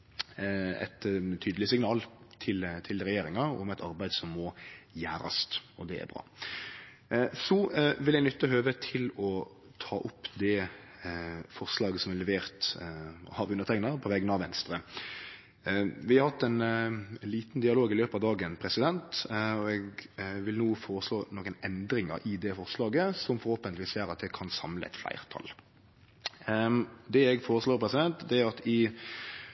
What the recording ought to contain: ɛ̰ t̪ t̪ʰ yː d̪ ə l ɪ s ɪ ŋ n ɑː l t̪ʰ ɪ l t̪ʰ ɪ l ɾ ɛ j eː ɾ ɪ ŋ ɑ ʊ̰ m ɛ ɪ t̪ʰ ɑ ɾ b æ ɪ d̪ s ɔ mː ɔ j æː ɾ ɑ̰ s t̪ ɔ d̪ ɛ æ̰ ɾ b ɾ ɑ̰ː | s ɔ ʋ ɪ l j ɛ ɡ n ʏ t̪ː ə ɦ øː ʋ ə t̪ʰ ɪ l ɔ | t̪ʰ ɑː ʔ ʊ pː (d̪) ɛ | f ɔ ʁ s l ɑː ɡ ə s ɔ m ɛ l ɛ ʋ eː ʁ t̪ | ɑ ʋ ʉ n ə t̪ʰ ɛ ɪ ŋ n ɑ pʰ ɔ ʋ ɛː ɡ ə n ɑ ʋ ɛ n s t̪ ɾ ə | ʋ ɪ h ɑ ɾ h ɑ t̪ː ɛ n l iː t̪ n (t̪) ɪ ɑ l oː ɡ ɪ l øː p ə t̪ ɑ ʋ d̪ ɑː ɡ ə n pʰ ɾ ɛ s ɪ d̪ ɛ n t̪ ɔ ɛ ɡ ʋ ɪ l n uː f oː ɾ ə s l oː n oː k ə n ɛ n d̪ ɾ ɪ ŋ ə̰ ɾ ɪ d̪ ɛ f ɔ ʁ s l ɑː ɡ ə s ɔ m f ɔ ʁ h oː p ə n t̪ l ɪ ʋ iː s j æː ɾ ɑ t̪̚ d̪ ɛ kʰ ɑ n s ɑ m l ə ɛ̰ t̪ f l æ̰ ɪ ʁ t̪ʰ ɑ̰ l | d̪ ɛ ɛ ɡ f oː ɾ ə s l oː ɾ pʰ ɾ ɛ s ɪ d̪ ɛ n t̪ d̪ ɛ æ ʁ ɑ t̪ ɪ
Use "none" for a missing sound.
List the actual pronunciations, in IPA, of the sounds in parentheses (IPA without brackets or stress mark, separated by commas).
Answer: d̪, d̪